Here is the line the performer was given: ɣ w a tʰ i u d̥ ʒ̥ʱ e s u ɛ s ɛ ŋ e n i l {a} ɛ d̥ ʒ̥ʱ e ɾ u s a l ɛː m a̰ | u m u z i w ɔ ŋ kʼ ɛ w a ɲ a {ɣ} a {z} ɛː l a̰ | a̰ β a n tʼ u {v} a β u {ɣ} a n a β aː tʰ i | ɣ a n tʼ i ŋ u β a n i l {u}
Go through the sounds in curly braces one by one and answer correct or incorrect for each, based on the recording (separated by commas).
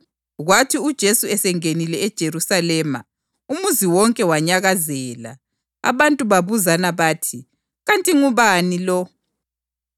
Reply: incorrect, correct, correct, incorrect, incorrect, incorrect